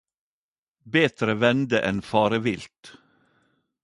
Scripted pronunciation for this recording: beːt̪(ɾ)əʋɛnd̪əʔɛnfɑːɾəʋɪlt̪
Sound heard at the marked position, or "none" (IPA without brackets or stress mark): ɾ